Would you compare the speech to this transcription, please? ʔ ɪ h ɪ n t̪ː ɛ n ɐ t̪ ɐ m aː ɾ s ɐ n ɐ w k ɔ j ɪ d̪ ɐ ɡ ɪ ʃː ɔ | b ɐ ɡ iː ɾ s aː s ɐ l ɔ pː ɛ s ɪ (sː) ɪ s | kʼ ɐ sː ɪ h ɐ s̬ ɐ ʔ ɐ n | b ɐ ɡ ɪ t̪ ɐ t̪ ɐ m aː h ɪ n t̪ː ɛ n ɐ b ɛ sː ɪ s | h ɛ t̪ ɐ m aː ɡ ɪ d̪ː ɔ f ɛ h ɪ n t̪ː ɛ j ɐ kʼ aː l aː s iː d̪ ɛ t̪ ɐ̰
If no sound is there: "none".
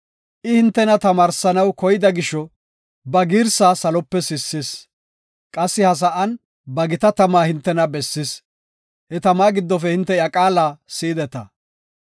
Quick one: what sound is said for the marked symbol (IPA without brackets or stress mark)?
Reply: sː